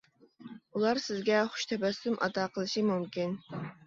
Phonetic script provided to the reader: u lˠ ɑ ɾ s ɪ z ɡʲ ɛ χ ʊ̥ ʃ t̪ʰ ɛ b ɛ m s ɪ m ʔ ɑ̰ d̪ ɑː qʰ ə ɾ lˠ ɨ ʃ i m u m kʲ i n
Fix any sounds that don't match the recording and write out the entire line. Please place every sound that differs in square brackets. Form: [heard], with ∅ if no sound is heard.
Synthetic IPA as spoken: u lˠ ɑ ɾ s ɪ z ɡʲ ɛ χ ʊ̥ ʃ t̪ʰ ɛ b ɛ [∅] s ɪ m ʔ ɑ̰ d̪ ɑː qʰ ə [∅] lˠ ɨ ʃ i m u m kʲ i n